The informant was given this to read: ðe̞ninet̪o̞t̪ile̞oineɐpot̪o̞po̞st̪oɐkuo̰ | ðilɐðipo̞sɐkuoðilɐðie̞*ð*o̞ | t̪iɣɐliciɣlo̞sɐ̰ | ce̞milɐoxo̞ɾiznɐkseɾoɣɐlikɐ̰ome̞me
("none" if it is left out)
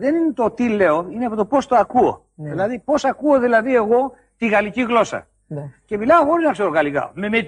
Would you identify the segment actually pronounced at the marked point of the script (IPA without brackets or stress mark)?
ɣ